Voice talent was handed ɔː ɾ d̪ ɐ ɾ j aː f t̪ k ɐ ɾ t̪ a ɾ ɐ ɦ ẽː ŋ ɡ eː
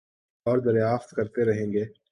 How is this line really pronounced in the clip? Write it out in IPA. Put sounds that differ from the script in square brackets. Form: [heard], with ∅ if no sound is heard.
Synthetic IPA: ɔː ɾ d̪ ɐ ɾ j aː f t̪ k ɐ ɾ t̪ [e] ɾ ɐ ɦ ẽː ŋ ɡ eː